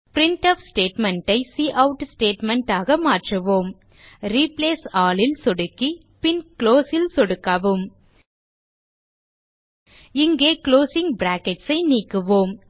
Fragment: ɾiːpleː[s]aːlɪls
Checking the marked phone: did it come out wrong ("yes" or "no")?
no